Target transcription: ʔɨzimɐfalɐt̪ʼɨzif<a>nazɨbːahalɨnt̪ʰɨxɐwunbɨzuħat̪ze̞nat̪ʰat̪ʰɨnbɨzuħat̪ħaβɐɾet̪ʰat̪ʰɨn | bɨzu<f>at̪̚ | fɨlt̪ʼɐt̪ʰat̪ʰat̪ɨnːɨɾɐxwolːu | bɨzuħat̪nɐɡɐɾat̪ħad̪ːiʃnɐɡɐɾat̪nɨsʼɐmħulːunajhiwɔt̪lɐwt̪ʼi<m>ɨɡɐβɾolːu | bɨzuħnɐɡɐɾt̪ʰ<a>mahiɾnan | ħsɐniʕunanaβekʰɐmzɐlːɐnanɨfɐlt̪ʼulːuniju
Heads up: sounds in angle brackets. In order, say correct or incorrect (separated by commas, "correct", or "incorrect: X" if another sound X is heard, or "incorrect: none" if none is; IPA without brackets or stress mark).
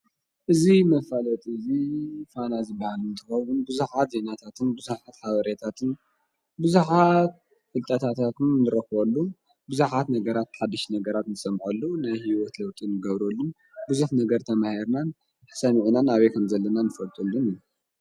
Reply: correct, incorrect: ħ, incorrect: n, incorrect: ɐ